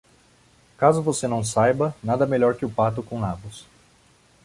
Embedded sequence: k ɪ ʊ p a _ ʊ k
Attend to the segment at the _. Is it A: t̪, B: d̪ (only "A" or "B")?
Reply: A